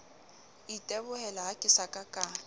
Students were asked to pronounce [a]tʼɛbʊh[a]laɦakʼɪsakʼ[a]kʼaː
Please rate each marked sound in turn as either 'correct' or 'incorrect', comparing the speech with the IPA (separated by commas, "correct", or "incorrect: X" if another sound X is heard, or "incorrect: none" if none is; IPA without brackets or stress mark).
incorrect: i, incorrect: ɛ, correct